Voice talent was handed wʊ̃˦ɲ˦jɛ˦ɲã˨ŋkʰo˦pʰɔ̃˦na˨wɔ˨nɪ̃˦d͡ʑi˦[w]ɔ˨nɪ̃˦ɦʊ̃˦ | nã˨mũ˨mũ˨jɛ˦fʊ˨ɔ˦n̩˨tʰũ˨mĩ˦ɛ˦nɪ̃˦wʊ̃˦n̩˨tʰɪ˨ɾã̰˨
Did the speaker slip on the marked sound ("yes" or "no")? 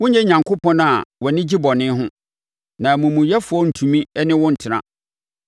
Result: yes